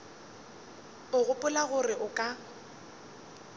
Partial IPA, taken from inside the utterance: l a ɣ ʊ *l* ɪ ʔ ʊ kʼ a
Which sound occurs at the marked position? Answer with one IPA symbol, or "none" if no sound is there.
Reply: r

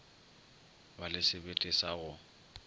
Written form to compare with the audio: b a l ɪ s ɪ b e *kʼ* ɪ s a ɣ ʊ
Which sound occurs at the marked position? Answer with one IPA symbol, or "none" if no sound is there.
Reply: tʼ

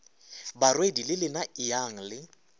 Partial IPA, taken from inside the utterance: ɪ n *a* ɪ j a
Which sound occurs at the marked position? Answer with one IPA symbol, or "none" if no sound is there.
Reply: a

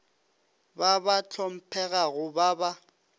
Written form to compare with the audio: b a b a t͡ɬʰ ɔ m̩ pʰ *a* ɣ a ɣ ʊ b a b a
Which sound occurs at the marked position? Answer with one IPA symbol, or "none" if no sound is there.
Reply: ɛ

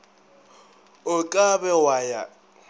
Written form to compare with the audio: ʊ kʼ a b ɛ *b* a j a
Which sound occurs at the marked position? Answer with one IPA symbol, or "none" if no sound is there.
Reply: w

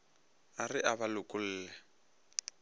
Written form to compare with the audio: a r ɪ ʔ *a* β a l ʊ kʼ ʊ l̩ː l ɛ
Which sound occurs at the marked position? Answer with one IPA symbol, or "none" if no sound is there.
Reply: a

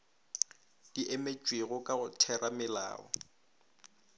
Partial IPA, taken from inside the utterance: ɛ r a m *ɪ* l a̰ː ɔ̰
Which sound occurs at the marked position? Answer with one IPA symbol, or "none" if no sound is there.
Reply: ɪ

